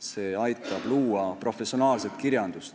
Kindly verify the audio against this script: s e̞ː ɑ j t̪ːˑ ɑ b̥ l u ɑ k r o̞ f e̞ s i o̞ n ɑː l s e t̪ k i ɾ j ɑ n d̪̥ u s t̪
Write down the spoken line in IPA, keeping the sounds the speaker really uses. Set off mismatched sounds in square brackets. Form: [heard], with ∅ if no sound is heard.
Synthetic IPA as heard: s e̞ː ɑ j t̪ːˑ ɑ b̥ l [uː] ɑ [p] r o̞ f e̞ s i o̞ n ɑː l s e t̪ k i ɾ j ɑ n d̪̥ u s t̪